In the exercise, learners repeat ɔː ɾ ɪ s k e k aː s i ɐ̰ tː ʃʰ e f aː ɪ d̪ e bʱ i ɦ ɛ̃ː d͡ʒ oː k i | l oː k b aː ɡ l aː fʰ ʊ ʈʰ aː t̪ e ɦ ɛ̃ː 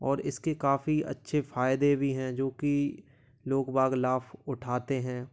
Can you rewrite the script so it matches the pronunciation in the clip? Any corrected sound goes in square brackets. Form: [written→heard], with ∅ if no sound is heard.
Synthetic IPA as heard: ɔː ɾ ɪ s k e k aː [s→f] i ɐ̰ tː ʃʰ e f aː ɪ d̪ e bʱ i ɦ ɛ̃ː d͡ʒ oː k i | l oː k b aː ɡ l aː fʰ ʊ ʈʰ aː t̪ e ɦ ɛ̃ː

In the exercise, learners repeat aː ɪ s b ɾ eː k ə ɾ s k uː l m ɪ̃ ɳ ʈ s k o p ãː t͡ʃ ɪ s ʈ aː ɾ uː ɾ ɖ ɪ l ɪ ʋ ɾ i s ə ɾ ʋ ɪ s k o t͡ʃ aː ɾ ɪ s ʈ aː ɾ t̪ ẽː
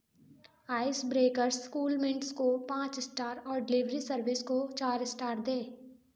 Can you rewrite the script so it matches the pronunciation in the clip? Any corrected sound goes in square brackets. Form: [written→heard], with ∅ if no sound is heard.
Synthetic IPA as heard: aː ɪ s b ɾ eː k ə ɾ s k uː l m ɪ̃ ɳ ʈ s k o p ãː t͡ʃ ɪ s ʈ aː ɾ [uː→ɔː] ɾ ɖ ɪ l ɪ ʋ ɾ i s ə ɾ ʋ ɪ s k o t͡ʃ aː ɾ ɪ s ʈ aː ɾ [t̪→d̪] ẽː

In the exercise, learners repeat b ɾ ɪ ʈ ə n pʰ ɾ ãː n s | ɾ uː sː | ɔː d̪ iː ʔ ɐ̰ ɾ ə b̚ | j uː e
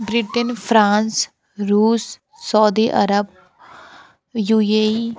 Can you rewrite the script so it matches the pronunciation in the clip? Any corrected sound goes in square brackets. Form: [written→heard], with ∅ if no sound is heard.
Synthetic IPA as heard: b ɾ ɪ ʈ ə n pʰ ɾ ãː n s | ɾ uː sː | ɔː d̪ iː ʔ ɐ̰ ɾ ə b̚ | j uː e

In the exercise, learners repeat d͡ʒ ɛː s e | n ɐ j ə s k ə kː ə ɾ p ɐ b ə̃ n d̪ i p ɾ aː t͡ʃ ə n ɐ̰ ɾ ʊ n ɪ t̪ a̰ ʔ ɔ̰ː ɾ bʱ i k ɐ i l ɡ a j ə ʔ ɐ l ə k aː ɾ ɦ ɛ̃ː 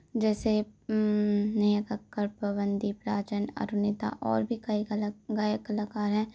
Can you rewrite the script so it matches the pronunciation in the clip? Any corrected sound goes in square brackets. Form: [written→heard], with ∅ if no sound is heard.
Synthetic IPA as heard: d͡ʒ ɛː s e | n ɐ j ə [s→∅] k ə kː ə ɾ p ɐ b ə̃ n d̪ i p ɾ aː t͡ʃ ə n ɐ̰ ɾ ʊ n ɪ t̪ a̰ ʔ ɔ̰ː ɾ bʱ i k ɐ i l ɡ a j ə [ʔ→k] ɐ l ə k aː ɾ ɦ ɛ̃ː

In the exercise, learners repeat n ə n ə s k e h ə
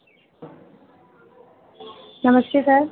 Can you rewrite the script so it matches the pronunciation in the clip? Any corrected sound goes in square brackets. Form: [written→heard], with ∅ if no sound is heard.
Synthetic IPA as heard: n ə [n→m] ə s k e [h→s] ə

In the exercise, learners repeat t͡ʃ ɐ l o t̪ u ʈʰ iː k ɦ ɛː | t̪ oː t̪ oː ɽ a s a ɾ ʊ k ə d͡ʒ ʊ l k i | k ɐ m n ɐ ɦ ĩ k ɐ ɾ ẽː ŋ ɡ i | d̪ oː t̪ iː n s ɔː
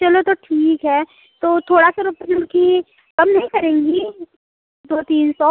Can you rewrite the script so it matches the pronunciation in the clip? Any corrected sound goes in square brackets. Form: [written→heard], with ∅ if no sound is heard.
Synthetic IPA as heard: t͡ʃ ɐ l o t̪ [u→o] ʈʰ iː k ɦ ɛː | t̪ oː [t̪→t̪ʰ] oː ɽ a s a ɾ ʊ [k→p] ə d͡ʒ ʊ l k i | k ɐ m n ɐ ɦ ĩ k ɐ ɾ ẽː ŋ ɡ i | d̪ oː t̪ iː n s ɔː

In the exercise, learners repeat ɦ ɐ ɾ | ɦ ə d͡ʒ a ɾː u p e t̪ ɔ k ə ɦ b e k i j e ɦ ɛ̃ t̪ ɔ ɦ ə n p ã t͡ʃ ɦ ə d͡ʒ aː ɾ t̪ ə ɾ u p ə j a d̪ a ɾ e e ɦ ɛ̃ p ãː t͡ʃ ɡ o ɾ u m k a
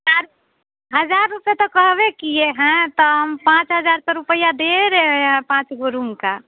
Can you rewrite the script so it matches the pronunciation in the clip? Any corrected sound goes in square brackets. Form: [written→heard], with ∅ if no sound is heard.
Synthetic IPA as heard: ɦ [ɐ→a] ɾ | ɦ ə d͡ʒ a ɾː u p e t̪ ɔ k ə ɦ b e k i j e ɦ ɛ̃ t̪ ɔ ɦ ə [n→m] p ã t͡ʃ ɦ ə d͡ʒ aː ɾ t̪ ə ɾ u p ə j a d̪ [a→e] ɾ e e ɦ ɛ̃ p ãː t͡ʃ ɡ o ɾ u m k a

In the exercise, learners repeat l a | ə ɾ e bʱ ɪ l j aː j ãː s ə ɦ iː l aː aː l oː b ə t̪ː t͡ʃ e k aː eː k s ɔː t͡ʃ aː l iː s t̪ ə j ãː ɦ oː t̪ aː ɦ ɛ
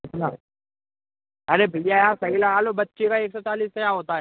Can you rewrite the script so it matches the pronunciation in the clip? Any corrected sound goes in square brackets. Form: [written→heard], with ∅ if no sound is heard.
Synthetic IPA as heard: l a | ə ɾ e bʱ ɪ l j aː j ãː s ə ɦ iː l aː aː l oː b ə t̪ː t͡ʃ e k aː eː k s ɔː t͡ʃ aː l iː s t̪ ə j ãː ɦ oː t̪ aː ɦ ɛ

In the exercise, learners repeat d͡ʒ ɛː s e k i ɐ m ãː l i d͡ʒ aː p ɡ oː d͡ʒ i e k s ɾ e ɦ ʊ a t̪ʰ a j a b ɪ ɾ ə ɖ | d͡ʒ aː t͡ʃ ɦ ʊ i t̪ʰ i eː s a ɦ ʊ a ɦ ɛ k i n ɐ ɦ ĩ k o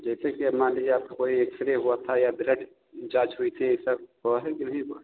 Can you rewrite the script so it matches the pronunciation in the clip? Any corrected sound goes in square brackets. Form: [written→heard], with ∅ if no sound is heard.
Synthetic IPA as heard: d͡ʒ ɛː s e k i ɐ m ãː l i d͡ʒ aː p [ɡ→k] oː [d͡ʒ→∅] i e k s ɾ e ɦ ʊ a t̪ʰ a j a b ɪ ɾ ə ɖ | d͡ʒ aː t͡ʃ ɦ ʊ i t̪ʰ i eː s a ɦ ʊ a ɦ ɛ k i n ɐ ɦ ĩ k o

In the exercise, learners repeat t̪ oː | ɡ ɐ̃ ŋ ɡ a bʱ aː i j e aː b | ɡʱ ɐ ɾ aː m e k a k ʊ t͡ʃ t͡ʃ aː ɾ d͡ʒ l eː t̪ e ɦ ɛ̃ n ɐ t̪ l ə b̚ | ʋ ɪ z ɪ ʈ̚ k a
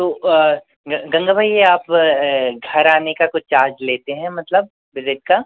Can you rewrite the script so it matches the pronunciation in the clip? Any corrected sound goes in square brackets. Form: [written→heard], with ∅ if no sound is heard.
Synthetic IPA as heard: t̪ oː | ɡ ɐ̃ ŋ ɡ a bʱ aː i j e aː [b→p] | ɡʱ ɐ ɾ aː [m→n] e k a k ʊ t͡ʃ t͡ʃ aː ɾ d͡ʒ l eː t̪ e ɦ ɛ̃ [n→m] ɐ t̪ l ə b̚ | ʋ ɪ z ɪ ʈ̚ k a

